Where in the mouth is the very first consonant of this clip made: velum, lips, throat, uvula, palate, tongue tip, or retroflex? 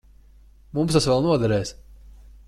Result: lips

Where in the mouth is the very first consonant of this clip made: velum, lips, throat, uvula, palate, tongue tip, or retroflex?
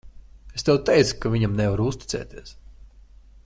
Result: tongue tip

